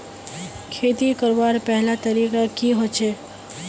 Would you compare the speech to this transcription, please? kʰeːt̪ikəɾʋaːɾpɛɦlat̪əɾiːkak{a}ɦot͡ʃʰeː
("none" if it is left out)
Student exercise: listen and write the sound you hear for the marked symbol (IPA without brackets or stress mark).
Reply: i